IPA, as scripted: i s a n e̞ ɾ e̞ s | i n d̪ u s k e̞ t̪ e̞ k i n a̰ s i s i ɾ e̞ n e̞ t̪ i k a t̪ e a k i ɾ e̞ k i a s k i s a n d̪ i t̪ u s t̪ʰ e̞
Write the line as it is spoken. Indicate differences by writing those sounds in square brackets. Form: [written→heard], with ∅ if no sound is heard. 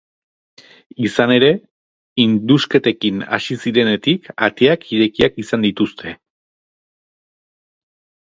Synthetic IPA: i s a n e̞ ɾ e̞ [s→∅] | i n d̪ u s k e̞ t̪ e̞ k i n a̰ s i s i ɾ e̞ n e̞ t̪ i k a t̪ e a k i ɾ e̞ k i a [s→∅] k i s a n d̪ i t̪ u s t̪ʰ e̞